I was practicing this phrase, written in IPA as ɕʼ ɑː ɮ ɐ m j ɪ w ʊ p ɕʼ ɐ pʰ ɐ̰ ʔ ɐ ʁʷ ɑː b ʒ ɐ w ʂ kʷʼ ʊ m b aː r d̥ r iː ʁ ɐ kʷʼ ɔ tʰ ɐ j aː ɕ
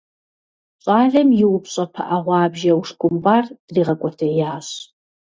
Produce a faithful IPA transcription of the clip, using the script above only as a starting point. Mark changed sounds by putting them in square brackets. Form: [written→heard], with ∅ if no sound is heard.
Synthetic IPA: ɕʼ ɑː ɮ ɐ m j ɪ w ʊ p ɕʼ ɐ pʰ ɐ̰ ʔ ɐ ʁʷ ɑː b ʒ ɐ w ʂ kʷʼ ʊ m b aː r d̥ r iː ʁ ɐ kʷʼ ɔ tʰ ɐ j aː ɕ